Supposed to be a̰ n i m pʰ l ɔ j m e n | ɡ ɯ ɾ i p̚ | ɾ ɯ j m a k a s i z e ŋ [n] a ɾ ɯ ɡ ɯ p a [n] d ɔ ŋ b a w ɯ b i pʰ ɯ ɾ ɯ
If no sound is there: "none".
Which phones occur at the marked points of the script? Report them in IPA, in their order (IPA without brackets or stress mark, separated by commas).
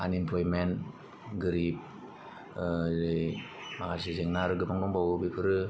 n, ŋ